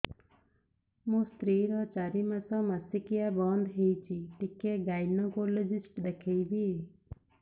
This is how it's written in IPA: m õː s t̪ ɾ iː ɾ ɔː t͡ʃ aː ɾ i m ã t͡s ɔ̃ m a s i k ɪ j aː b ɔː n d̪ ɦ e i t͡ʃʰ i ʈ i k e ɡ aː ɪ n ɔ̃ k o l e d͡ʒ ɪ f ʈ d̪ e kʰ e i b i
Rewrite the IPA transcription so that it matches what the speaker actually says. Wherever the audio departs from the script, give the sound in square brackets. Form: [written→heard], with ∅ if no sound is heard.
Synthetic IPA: m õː s t̪ ɾ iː ɾ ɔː t͡ʃ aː ɾ i m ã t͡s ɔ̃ m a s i k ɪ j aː b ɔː n d̪ ɦ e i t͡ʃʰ i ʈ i k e ɡ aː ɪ n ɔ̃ k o l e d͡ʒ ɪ [f→s] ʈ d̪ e kʰ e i b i